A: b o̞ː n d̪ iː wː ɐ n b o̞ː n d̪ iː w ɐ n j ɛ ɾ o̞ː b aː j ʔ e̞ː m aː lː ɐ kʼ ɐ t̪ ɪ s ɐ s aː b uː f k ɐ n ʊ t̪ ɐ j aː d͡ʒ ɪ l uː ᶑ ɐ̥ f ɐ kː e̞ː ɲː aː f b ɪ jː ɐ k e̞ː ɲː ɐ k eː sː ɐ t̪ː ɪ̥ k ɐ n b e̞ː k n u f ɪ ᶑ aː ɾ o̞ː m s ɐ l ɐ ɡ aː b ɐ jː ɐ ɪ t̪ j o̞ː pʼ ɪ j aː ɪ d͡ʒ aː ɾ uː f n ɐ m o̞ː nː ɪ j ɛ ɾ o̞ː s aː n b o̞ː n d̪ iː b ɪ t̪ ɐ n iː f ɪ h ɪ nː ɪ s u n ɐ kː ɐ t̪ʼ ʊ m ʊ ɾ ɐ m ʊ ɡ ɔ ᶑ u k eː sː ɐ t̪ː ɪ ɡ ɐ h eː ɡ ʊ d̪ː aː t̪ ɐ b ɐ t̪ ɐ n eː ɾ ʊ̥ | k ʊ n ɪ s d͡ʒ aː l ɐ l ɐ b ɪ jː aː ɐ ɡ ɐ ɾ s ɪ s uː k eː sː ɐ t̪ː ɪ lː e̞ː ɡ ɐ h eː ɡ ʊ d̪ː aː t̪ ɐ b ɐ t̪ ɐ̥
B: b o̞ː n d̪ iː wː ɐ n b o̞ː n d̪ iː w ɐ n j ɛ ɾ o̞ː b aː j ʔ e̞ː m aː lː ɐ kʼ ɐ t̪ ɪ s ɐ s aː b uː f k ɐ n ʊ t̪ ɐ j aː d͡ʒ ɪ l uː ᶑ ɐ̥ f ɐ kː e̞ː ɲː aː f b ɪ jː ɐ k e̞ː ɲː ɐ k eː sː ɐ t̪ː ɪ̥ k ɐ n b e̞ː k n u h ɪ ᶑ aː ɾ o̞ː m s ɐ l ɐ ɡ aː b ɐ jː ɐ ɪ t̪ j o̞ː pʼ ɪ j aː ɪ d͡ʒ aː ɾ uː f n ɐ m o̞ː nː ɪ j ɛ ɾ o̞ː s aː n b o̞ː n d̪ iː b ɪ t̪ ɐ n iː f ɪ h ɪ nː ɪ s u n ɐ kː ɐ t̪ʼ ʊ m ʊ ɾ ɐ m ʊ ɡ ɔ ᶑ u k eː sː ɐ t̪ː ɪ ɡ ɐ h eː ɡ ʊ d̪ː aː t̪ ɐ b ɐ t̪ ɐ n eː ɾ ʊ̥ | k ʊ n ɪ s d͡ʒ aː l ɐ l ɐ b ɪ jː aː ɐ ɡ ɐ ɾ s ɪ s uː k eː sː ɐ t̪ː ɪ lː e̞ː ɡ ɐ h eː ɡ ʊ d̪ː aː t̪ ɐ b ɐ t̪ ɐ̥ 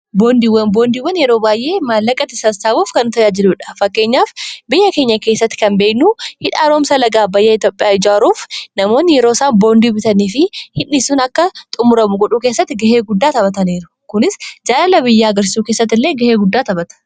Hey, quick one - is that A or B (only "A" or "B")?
B